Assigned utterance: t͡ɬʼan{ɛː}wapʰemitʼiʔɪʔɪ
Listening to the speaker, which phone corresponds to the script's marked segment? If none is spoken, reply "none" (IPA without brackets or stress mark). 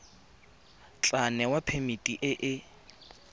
ɛ